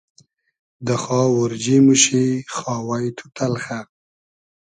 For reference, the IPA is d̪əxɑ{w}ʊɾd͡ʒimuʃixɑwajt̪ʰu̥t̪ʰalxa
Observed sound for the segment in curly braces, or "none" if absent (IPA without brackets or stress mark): w